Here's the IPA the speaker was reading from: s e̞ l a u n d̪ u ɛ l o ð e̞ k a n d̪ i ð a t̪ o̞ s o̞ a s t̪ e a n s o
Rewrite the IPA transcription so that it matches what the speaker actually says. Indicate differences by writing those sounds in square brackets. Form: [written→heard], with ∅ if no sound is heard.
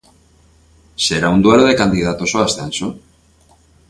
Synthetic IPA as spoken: s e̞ [l→ɾ] a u n d̪ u [ɛ→e] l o ð e̞ k a n d̪ i ð a t̪ o̞ s o̞ a s t̪ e a n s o

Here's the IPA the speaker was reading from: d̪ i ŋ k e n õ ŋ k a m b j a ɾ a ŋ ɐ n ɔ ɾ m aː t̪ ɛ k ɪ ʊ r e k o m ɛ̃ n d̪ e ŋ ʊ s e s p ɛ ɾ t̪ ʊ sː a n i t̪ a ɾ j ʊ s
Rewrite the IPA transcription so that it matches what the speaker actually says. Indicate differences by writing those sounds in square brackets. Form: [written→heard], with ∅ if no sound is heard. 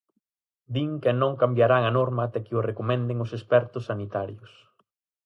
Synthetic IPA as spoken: d̪ i ŋ k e n õ ŋ k a m b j a ɾ a ŋ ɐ n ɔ ɾ m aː t̪ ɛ k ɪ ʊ r e k o m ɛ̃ n d̪ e ŋ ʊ s e s p ɛ ɾ t̪ ʊ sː a n i t̪ a ɾ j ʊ s

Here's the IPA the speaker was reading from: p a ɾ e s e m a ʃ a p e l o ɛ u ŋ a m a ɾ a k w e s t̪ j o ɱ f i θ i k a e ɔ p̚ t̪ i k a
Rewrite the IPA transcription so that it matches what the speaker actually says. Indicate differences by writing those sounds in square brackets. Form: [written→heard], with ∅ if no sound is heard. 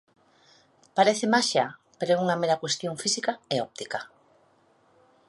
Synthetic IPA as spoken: p a ɾ e [s→θ] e m a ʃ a p e [l→ɾ] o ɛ u ŋ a m [a→e] ɾ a k w e s t̪ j o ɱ f i [θ→s] i k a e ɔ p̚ t̪ i k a

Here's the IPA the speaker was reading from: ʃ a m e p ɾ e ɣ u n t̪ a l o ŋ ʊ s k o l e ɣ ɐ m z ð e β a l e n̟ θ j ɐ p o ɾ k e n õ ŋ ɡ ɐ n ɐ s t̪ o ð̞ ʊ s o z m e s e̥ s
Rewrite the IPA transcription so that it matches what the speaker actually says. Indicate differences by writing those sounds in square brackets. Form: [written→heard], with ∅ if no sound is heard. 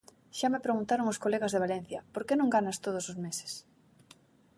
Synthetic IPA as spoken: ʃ a m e p ɾ e ɣ u n t̪ a [l→ɾ] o ŋ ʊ s k o l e ɣ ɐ [m→∅] z ð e β a l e n̟ θ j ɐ p o ɾ k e n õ ŋ ɡ [ɐ→a] n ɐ s t̪ o ð̞ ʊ s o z m e s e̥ s

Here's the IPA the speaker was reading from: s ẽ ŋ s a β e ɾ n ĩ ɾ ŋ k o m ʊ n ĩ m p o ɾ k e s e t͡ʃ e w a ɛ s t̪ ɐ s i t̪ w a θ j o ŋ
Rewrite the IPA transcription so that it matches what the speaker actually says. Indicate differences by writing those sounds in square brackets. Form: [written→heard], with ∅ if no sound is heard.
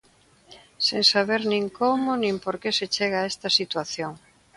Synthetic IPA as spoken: s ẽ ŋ s a β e ɾ n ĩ [ɾ→∅] ŋ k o m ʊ n ĩ m p o ɾ k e s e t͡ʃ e [w→ɣ] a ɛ s t̪ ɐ s i t̪ w a θ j o ŋ

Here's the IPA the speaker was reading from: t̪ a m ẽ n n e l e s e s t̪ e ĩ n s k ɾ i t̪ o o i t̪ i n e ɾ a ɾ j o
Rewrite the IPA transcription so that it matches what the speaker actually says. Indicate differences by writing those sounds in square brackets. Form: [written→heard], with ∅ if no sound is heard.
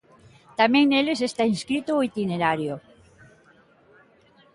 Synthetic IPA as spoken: t̪ a m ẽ [n→ŋ] n e l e s e s t̪ [e→a] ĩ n s k ɾ i t̪ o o i t̪ i n e ɾ a ɾ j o

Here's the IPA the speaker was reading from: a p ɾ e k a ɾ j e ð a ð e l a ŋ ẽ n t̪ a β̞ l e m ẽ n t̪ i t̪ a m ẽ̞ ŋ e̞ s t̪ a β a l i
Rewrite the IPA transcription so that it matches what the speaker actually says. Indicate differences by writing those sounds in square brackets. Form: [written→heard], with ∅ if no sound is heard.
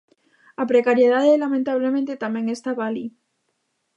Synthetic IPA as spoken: a p ɾ e k a ɾ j e ð a ð e l a [ŋ→m] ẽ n t̪ a β̞ l e m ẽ n t̪ [i→e] t̪ a m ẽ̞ ŋ e̞ s t̪ a β a l i

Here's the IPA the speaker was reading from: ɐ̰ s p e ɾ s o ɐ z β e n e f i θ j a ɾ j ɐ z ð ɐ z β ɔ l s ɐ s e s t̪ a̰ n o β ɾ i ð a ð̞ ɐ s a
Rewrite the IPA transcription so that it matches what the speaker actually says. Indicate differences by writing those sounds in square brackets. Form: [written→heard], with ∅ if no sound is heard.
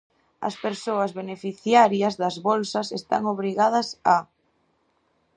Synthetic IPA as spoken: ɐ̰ s p e ɾ s o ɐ z β e n e f i θ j a ɾ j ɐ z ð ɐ z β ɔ l s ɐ s e s t̪ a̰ [n→ŋ] o β ɾ i [ð→ɣ] a ð̞ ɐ s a

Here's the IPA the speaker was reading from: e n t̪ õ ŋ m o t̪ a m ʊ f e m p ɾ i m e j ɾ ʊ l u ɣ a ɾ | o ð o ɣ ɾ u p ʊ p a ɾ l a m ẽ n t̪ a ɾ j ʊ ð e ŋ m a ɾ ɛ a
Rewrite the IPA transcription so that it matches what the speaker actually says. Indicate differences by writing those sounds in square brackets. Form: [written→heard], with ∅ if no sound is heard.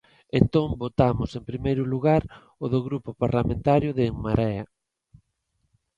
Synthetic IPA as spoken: e n t̪ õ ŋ [m→b] o t̪ a m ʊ [f→s] e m p ɾ i m e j ɾ ʊ l u ɣ a ɾ | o ð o ɣ ɾ u p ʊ p a ɾ l a m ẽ n t̪ a ɾ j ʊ ð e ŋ m a ɾ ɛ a

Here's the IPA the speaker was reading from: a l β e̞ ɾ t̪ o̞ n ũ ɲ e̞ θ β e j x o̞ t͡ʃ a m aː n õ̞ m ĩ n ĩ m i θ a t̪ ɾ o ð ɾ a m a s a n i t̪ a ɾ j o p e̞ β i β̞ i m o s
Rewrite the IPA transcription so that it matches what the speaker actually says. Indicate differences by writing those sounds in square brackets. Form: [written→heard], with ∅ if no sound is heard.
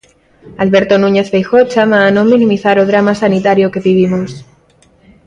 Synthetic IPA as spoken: a l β e̞ ɾ t̪ o̞ n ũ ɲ e̞ θ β e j x o̞ t͡ʃ a m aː n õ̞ m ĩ n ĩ m i θ a [t̪→∅] ɾ o ð ɾ a m a s a n i t̪ a ɾ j o [p→k] e̞ β i β̞ i m o s

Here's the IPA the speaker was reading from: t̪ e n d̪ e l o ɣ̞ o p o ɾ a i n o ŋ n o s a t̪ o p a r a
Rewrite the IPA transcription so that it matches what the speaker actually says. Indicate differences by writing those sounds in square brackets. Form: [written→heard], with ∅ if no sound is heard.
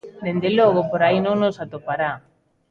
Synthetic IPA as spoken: [t̪→d̪] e n d̪ e l o ɣ̞ o p o ɾ a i n o ŋ n o s a t̪ o p a [r→ɾ] a

